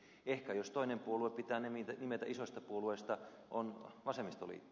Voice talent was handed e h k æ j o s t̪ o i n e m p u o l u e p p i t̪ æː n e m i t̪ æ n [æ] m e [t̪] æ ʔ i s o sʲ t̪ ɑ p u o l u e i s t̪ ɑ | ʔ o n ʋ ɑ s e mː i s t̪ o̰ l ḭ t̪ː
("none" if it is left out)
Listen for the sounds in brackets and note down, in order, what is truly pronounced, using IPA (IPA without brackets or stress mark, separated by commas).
i, t̪